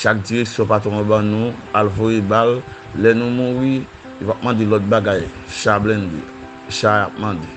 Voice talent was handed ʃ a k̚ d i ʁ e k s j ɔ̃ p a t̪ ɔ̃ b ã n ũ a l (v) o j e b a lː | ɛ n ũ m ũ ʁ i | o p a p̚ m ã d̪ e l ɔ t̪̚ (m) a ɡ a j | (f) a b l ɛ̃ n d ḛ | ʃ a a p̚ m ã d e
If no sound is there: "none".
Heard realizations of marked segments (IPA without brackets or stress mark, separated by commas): v, b, ʃ